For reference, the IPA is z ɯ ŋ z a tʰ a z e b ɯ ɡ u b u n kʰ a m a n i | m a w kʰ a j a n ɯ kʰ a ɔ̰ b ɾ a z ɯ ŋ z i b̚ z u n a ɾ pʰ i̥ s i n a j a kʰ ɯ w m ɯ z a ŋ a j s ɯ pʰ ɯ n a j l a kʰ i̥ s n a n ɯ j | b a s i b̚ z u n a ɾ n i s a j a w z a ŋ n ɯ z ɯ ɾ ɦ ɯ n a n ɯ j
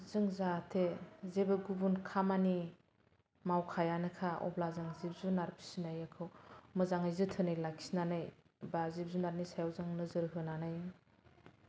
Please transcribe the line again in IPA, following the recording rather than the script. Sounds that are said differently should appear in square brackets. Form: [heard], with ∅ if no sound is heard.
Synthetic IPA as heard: z ɯ ŋ z a tʰ [e] z e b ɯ ɡ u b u n kʰ a m a n i | m a w kʰ a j a n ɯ kʰ a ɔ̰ b [l] a z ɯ ŋ z i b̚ z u n a ɾ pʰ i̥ s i n a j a kʰ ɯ w m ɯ z a ŋ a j [z] ɯ [tʰ] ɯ n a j l a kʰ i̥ s n a n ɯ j | b a [z] i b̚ z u n a ɾ n i s a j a w z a ŋ n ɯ z ɯ ɾ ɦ ɯ n a n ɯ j